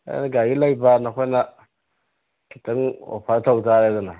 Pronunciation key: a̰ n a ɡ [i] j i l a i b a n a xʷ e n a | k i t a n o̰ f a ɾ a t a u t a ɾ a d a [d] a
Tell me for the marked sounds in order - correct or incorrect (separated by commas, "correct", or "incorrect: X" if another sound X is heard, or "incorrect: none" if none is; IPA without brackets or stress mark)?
incorrect: a, incorrect: n